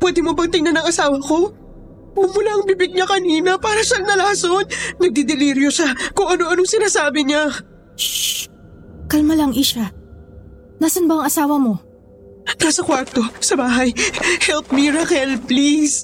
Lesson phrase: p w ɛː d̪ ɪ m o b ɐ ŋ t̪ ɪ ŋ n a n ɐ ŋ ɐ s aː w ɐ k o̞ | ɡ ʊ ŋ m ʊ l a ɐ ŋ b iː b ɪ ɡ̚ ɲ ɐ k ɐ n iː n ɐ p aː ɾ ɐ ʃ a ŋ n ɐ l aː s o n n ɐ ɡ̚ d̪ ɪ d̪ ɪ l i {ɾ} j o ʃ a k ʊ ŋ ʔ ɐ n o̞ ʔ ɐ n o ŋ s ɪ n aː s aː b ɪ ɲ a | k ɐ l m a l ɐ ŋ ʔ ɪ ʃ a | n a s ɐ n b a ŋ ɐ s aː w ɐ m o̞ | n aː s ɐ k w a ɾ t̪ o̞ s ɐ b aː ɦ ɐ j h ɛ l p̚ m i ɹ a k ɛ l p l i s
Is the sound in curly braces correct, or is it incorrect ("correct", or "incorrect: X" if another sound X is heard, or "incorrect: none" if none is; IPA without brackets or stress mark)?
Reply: correct